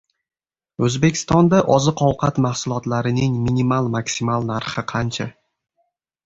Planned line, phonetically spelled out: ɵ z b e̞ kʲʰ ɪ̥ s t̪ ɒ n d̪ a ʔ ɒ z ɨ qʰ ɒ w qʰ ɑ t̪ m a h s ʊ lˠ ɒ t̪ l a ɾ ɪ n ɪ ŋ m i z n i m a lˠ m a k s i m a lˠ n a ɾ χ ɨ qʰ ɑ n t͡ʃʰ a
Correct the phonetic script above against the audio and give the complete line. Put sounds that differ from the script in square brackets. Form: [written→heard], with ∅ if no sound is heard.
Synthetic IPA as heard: ɵ z b e̞ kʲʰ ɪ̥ s t̪ ɒ n d̪ a ʔ ɒ z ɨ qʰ ɒ w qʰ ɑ t̪ m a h s ʊ lˠ ɒ t̪ l a ɾ ɪ n ɪ ŋ m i [z→∅] n i m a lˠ m a k s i m a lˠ n a ɾ χ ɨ qʰ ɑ n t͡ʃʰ a